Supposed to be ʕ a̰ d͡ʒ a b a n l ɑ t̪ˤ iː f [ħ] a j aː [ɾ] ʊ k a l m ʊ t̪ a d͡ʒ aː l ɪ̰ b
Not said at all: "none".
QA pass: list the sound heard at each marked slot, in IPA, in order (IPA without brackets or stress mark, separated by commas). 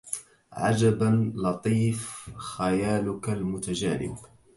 x, l